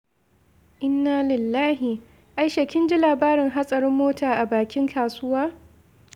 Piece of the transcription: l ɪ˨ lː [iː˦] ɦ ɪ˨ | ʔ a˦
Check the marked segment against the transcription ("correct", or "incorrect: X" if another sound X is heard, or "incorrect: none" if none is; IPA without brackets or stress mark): incorrect: aː˦